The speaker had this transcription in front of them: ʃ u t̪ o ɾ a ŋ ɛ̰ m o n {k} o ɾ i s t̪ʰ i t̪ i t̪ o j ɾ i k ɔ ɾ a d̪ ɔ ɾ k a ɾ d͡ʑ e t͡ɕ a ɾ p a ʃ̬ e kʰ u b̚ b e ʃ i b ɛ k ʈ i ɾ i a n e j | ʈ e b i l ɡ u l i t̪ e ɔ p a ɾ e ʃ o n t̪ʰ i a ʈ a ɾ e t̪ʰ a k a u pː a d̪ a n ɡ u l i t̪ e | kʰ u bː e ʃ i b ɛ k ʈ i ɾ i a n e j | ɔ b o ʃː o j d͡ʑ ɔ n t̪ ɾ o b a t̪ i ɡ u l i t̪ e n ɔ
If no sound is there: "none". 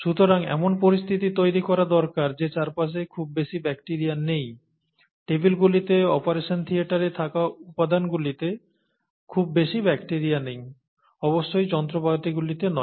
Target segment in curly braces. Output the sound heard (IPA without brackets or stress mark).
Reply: p